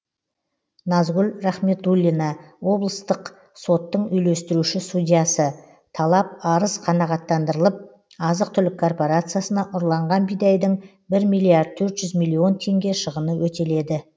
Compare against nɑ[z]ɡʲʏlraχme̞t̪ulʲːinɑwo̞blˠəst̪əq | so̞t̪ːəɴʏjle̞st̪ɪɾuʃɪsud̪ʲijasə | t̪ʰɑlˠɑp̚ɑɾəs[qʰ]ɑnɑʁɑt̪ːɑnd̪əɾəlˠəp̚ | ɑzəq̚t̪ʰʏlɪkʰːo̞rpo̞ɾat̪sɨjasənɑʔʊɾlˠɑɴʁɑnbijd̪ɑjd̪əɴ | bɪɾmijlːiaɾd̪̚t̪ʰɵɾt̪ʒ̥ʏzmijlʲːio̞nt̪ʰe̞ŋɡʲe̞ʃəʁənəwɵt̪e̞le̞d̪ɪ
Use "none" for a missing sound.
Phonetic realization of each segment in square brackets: z, qʰ

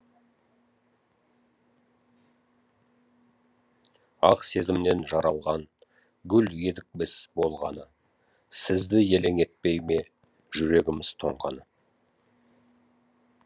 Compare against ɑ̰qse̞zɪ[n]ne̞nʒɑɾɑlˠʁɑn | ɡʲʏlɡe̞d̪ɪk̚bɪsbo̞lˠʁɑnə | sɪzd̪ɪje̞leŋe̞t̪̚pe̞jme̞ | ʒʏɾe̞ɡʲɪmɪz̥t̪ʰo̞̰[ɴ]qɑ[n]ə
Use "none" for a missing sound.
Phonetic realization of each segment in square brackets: m, ɴ, n

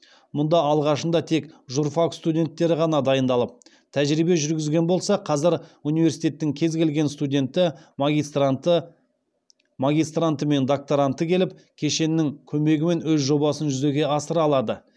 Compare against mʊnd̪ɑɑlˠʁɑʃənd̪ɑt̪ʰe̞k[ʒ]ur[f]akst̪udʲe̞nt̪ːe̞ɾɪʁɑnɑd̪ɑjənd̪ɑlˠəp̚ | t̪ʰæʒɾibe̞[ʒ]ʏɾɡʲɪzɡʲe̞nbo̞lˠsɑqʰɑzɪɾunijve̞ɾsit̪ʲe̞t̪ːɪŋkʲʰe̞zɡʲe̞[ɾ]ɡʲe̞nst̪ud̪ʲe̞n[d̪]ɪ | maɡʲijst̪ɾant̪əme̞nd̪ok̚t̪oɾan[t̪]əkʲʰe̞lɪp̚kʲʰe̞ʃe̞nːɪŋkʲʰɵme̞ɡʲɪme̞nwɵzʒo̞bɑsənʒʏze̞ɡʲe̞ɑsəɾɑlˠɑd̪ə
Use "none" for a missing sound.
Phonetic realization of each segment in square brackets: ʒ, f, ʒ, l, t̪, t̪

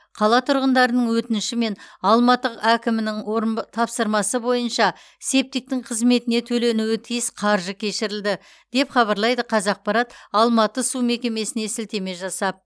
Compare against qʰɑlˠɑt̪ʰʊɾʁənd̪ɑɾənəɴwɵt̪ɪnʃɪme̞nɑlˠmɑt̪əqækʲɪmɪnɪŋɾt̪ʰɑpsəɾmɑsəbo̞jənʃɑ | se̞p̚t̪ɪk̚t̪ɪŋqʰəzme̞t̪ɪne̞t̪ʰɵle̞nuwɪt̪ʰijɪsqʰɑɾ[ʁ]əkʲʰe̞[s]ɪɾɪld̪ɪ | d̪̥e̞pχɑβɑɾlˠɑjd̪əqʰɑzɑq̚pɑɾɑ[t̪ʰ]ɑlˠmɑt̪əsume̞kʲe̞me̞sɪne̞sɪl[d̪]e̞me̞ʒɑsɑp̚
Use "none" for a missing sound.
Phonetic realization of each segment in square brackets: ʒ, ʃ, t̪, t̪

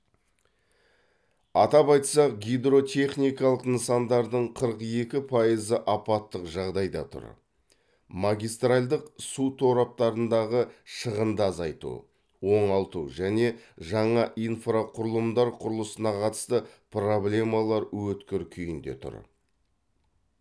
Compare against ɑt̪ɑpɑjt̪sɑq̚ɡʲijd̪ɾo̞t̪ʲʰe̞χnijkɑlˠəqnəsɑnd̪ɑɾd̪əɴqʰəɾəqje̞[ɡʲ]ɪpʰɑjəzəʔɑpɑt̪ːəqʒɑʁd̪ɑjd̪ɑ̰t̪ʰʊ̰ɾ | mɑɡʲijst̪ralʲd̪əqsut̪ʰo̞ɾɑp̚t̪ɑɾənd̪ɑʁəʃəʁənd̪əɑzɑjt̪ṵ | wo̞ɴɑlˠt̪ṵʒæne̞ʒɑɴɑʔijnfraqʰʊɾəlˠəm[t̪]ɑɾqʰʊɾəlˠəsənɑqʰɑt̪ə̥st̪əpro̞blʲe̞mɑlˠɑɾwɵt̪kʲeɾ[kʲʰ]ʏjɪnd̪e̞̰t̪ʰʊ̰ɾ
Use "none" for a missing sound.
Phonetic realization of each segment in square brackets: kʲ, d̪, kʲʰ

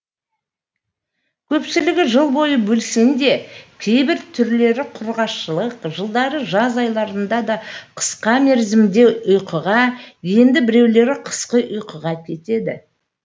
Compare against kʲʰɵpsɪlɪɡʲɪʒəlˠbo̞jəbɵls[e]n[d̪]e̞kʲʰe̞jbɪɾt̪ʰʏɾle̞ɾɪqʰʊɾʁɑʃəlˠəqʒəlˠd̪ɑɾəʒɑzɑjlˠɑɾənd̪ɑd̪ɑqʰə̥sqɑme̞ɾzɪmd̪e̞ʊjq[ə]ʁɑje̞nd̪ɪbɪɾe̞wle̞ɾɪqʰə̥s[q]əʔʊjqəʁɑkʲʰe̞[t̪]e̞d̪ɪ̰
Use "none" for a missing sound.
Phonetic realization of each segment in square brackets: e, d̪, ə, q, t̪

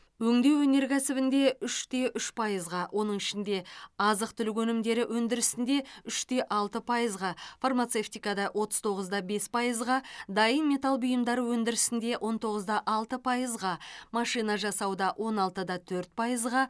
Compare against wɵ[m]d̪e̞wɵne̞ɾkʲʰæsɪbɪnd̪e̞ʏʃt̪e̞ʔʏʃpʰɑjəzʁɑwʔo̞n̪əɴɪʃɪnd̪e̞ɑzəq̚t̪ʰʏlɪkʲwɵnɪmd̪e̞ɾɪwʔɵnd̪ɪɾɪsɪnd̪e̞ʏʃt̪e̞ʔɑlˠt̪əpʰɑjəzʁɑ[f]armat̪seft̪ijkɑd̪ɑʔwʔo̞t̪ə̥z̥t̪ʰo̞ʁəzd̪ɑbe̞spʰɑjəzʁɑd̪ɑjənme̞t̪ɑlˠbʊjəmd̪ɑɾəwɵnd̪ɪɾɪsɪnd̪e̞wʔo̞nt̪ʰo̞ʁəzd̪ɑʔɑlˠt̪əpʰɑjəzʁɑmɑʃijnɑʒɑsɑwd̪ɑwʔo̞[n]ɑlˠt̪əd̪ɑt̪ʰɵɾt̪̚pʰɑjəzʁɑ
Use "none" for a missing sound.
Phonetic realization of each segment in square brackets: ŋ, f, n

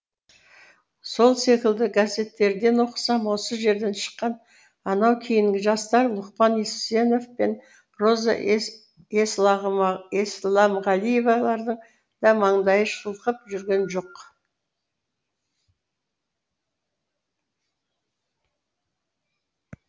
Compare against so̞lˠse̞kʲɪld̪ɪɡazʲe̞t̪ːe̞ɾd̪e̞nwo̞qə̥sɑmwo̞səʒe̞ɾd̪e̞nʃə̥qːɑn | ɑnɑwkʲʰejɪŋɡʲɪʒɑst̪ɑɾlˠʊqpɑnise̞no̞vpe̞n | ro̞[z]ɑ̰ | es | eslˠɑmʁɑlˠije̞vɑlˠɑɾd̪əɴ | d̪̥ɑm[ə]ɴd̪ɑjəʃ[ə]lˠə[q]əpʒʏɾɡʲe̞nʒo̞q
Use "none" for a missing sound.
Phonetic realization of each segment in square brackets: z, ɑ, ə, q

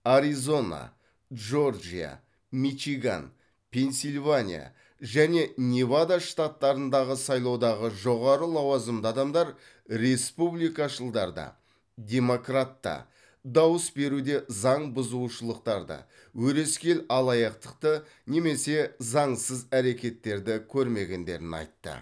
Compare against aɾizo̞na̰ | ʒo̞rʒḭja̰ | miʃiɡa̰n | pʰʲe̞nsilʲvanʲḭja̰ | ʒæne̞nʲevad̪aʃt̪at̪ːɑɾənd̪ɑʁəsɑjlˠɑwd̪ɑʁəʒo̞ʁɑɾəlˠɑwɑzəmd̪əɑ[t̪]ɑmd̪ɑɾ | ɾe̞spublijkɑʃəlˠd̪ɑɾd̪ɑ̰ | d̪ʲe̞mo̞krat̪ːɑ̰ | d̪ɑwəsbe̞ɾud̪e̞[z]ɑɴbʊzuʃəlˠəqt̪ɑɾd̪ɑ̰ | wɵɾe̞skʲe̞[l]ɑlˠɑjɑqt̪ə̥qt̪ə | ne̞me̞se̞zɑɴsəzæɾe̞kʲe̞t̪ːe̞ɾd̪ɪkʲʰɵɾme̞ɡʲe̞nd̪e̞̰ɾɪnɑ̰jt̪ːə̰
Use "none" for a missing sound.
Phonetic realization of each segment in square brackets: d̪, z, l

